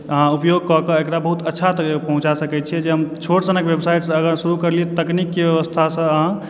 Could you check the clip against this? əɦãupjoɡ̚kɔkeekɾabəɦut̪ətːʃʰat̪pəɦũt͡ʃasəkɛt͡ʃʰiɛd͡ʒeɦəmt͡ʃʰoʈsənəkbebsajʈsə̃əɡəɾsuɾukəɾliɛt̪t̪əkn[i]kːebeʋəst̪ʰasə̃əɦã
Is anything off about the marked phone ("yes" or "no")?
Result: no